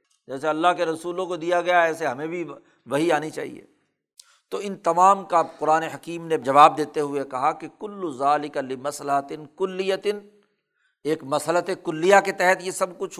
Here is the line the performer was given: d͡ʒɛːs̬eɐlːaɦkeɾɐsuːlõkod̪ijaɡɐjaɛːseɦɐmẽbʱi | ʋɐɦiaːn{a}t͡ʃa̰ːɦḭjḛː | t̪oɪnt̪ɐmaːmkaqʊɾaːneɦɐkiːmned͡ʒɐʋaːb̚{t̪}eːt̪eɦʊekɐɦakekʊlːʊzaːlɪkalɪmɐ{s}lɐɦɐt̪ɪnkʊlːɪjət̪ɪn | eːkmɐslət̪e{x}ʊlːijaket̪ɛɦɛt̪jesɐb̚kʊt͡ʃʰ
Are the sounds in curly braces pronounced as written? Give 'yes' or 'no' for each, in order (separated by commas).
no, no, yes, no